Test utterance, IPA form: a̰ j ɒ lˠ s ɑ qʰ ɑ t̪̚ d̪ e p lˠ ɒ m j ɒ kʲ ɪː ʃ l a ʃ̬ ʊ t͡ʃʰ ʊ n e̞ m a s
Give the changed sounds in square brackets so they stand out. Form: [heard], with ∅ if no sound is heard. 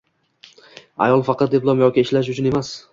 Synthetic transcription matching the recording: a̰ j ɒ lˠ [f] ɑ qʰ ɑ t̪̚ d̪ e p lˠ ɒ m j ɒ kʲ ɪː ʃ l a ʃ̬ ʊ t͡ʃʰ ʊ n e̞ m a s